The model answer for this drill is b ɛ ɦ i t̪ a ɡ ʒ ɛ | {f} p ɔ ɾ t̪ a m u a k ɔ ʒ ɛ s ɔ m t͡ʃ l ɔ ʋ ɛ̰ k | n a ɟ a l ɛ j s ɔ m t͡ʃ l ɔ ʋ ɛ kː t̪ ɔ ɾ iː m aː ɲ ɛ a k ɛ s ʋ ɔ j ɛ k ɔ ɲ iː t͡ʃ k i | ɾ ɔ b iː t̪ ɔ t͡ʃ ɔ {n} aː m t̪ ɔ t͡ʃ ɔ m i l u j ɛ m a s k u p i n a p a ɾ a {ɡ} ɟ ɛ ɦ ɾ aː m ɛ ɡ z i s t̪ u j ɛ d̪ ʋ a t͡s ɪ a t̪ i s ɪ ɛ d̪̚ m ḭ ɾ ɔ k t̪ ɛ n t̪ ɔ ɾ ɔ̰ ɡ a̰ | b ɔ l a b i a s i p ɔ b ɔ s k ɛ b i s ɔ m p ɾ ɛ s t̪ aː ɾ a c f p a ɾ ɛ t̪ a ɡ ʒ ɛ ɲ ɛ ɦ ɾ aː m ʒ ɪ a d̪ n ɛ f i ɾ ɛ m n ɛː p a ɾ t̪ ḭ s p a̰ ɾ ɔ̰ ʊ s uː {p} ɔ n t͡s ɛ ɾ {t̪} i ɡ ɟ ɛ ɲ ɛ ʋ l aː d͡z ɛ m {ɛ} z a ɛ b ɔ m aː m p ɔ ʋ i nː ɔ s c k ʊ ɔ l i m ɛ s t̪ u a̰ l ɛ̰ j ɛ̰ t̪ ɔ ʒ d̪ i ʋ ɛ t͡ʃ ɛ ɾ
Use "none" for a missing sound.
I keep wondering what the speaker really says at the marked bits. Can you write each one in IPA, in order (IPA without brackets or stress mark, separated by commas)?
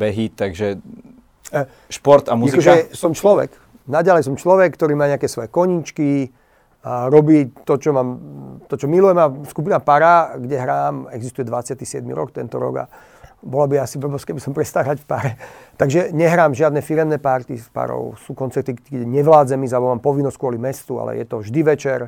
ʃ, m, ɡ, k, t̪, i